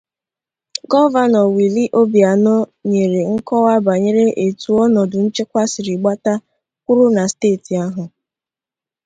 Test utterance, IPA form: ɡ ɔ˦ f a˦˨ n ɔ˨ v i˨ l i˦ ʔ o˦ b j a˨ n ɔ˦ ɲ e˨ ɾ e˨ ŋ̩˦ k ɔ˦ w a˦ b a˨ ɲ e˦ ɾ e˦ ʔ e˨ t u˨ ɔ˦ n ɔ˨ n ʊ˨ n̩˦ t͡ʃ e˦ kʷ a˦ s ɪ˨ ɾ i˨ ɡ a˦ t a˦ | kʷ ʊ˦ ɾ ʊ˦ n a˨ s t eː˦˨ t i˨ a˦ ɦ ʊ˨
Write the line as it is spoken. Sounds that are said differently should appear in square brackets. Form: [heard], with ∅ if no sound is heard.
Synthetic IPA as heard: ɡ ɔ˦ [v] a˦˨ n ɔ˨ [w] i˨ l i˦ ʔ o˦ b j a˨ n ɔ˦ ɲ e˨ ɾ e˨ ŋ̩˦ k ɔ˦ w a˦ b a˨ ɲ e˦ ɾ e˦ ʔ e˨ t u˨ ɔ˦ n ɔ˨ [d] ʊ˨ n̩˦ t͡ʃ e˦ kʷ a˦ s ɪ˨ ɾ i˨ [ɡ͡b] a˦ t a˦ | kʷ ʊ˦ ɾ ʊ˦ n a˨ s t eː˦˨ t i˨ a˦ ɦ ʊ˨

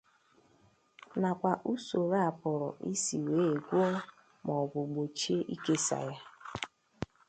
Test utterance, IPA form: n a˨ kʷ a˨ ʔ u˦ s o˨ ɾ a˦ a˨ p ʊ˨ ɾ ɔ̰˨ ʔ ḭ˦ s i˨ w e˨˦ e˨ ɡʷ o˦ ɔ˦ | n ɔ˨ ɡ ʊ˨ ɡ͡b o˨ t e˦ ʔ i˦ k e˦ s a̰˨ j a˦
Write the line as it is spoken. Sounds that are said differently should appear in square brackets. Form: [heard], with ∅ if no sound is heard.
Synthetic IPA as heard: n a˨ kʷ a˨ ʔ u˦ s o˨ ɾ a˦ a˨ p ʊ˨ ɾ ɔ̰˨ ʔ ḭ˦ s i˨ w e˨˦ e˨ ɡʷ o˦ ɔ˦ | [m] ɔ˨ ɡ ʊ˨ ɡ͡b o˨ [t͡ʃ] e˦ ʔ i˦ k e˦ s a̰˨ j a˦

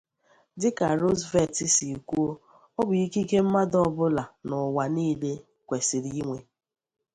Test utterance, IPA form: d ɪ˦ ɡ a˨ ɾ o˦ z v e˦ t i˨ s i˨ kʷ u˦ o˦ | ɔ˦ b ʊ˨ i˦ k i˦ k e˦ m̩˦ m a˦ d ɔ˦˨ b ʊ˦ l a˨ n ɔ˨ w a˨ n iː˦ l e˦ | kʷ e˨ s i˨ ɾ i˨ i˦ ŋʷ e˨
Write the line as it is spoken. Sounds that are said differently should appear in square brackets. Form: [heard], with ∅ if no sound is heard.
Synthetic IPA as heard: d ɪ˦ [k] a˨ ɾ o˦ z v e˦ t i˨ s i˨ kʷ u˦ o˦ | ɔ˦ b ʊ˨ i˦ k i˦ k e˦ m̩˦ m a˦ d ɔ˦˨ b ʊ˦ l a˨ n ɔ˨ w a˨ n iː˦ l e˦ | kʷ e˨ s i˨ ɾ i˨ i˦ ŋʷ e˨

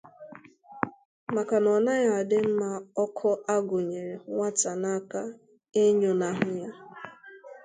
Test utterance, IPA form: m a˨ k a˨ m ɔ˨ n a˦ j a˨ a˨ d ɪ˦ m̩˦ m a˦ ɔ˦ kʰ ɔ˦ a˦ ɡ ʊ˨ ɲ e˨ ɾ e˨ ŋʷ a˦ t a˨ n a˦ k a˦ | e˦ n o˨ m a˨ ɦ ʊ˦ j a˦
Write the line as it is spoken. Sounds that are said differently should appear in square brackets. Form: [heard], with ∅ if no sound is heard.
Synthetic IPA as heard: m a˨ k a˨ [n] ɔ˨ n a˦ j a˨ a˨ d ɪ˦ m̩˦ m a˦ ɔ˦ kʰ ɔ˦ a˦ ɡ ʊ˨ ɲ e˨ ɾ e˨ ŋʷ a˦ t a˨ n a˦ k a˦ | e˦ [ɲ] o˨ [n] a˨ ɦ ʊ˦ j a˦

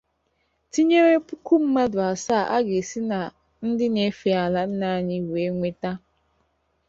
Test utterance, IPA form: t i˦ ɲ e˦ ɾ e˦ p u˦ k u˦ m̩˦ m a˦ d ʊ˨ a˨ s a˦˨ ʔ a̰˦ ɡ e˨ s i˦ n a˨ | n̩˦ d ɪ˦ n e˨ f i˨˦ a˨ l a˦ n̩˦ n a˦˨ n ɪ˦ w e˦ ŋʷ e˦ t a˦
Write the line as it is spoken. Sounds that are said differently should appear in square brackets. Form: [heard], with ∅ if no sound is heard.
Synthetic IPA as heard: t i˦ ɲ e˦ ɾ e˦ p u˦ k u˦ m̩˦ m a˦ d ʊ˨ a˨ s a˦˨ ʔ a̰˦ ɡ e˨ s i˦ n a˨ | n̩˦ d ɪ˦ n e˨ f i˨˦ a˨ l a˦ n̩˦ n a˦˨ [ɲ] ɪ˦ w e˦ ŋʷ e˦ t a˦

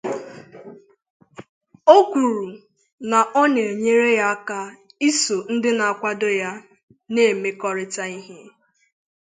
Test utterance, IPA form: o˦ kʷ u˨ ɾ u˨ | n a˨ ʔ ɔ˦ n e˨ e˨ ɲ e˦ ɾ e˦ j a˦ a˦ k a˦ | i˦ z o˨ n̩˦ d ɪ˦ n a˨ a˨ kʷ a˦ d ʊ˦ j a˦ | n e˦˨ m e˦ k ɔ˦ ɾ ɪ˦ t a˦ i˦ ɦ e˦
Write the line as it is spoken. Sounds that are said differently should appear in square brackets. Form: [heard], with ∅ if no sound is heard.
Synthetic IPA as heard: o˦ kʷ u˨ ɾ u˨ | n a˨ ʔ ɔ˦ n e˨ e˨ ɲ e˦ ɾ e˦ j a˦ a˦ k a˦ | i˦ [s] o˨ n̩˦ d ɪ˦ n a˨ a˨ kʷ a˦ d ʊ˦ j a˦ | n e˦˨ m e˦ k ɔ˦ ɾ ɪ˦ t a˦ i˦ ɦ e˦

